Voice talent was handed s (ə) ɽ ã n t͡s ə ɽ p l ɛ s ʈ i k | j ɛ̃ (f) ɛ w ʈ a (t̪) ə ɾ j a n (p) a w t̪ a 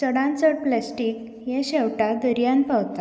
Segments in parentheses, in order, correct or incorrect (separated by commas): correct, incorrect, incorrect, correct